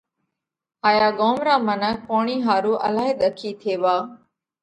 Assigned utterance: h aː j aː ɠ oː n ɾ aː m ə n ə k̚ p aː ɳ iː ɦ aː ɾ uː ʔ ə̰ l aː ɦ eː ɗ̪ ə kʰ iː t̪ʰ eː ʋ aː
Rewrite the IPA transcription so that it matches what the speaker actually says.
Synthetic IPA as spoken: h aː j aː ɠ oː m ɾ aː m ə n ə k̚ p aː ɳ iː ɦ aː ɾ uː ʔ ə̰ l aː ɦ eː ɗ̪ ə kʰ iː t̪ʰ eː ʋ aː